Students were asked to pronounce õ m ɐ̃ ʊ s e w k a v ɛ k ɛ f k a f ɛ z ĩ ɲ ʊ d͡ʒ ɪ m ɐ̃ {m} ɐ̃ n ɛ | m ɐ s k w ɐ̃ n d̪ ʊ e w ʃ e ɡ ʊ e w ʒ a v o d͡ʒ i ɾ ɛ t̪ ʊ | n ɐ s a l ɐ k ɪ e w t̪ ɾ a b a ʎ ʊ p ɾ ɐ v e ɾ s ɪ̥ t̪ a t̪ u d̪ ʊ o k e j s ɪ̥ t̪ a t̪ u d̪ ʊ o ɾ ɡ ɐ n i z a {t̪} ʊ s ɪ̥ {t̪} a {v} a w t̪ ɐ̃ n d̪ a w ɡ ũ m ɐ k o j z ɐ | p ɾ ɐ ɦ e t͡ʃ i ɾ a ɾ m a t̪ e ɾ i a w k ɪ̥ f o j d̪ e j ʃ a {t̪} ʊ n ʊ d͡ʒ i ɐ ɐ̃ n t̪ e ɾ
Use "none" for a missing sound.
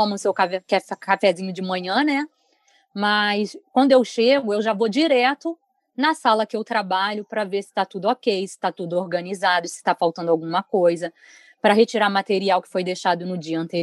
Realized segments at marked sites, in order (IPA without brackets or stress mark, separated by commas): ɲ, d̪, t̪, f, d̪